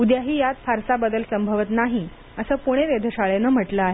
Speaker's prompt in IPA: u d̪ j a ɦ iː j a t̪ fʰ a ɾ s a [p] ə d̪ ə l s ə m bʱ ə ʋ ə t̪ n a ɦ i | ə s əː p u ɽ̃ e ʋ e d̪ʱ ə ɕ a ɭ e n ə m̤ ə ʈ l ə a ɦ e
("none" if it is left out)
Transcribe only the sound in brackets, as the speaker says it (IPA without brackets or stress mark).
b